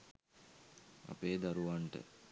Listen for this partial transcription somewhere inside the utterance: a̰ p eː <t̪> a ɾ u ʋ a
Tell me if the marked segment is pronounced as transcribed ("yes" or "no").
no